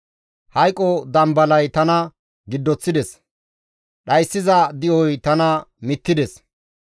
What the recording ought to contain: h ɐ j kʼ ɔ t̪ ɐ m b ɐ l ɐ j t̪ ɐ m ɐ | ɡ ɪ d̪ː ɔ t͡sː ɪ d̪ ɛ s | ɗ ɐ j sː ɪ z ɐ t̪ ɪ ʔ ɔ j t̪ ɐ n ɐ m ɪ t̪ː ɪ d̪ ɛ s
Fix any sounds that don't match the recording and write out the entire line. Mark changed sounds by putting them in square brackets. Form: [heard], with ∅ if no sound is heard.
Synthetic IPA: h ɐ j kʼ ɔ [d̪] ɐ m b ɐ l ɐ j t̪ ɐ [n] ɐ | ɡ ɪ d̪ː ɔ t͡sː ɪ d̪ ɛ s | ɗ ɐ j sː ɪ z ɐ [d̪] ɪ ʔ ɔ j t̪ ɐ n ɐ m ɪ t̪ː ɪ d̪ ɛ s